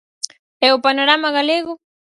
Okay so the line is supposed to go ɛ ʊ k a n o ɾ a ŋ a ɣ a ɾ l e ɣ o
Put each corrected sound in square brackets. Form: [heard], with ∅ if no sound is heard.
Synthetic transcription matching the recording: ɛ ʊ [p] a n o ɾ a [m] a ɣ a [∅] l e ɣ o